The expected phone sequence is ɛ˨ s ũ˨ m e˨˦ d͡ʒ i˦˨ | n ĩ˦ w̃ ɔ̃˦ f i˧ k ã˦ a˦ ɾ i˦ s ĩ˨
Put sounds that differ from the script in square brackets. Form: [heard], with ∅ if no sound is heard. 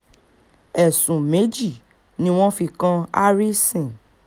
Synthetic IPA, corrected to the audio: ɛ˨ s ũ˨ m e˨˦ d͡ʒ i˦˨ | n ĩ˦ w̃ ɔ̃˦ f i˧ k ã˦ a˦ ɾ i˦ s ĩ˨